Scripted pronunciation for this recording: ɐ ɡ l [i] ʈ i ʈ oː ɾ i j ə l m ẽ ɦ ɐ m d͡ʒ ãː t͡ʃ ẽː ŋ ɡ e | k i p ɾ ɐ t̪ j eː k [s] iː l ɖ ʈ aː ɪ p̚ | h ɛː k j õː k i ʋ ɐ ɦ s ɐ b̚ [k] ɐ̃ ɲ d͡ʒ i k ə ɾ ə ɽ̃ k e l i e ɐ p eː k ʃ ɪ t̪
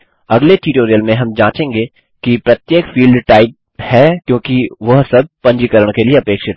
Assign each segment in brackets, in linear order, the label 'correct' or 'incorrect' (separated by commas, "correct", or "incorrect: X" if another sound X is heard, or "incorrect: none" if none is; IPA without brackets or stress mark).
incorrect: e, incorrect: f, incorrect: p